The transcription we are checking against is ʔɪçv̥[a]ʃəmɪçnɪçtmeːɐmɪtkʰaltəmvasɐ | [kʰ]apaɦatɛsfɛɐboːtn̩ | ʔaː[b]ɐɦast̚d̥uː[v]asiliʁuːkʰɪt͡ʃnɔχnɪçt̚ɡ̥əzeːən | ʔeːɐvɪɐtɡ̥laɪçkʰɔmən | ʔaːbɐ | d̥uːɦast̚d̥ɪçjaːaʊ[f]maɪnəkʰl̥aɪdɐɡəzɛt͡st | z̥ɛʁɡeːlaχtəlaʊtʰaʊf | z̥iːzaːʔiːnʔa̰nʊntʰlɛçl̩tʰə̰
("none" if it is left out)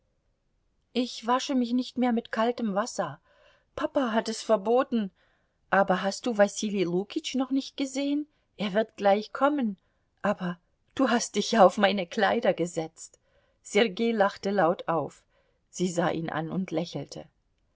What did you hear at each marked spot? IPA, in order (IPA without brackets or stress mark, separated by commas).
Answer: a, pʰ, b, v, f